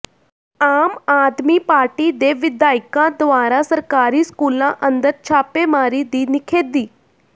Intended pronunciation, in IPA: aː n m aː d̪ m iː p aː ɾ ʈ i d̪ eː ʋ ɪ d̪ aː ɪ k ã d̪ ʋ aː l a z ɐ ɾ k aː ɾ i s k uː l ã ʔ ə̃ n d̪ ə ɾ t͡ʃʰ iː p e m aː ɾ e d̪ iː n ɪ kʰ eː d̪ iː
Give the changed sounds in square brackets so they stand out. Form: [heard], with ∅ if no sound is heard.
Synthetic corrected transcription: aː [∅] m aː d̪ m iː p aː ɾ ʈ i d̪ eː ʋ ɪ d̪ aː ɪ k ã d̪ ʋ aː [ɾ] a [s] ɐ ɾ k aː ɾ i s k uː l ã ʔ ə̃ n d̪ ə ɾ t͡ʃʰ [aː] p e m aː ɾ [i] d̪ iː n ɪ kʰ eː d̪ iː